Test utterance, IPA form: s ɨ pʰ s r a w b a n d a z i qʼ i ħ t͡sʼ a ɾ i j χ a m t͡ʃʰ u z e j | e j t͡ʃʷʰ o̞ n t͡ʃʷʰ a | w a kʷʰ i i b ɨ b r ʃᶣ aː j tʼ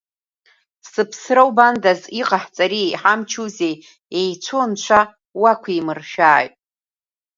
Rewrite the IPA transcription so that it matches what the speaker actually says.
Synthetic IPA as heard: s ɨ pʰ s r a w b a n d a z i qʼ a ħ t͡sʼ a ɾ i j ħ a m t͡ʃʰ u z e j | e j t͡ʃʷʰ o̞ n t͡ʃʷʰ a | w a kʷʰ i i m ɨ r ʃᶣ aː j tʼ